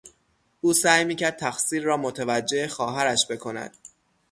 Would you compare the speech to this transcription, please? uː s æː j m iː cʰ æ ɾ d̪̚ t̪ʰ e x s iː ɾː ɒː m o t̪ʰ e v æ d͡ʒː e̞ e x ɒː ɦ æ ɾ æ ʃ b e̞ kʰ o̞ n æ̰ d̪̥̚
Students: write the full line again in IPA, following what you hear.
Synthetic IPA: uː s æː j m iː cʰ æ ɾ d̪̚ t̪ʰ æ x s iː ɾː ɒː m o t̪ʰ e v æ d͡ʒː e̞ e x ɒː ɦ æ ɾ æ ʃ b e̞ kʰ o̞ n æ̰ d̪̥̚